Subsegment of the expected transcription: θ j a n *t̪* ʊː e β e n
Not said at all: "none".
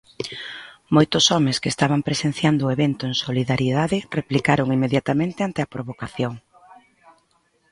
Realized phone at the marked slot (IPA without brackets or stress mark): d̪